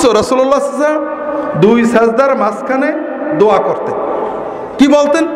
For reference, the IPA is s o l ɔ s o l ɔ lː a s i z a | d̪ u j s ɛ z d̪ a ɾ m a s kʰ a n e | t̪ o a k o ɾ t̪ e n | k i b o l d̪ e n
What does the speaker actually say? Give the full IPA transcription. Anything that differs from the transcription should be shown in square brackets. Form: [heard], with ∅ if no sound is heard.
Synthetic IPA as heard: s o [ɾ] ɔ s [u] l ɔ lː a s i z a | d̪ u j s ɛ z d̪ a ɾ m a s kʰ a n e | [d̪] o a k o ɾ t̪ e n | k i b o l [t̪] e n